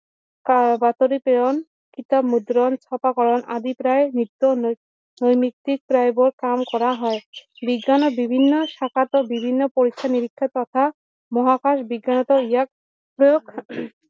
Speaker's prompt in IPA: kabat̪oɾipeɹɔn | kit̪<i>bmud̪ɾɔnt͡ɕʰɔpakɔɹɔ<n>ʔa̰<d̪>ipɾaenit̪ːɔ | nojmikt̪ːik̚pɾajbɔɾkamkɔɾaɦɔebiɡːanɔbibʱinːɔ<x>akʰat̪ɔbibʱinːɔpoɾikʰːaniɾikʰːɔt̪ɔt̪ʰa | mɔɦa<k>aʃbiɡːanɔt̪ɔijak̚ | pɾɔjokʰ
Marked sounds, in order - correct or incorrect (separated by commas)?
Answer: incorrect, correct, correct, incorrect, correct